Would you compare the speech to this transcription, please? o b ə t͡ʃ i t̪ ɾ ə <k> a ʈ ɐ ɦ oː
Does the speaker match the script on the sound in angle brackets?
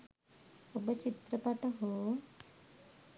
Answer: no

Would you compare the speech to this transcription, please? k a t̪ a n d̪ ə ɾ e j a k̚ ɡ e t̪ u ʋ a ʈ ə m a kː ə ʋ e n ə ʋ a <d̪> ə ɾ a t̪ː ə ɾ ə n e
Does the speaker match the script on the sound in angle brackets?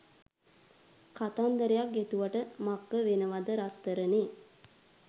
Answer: yes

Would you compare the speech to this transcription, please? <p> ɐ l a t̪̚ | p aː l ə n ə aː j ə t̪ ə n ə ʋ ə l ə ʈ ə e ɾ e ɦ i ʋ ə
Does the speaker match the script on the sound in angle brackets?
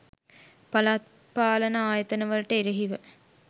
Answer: yes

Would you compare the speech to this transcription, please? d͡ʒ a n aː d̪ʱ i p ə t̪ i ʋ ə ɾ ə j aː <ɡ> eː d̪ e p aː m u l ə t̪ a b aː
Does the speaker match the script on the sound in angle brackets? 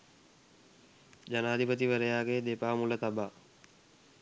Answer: yes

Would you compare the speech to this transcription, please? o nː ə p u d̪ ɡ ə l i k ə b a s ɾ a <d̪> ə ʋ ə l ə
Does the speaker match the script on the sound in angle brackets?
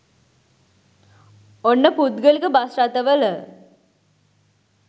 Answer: no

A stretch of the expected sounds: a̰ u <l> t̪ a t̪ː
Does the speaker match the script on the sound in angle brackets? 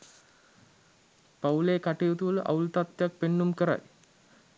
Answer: yes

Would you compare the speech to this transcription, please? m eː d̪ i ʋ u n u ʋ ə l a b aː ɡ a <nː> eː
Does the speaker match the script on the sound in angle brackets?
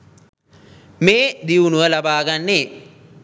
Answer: yes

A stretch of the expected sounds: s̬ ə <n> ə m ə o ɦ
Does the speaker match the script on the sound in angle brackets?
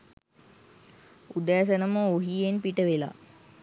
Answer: yes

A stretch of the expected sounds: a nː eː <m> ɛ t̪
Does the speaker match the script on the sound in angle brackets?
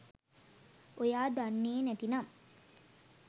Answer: no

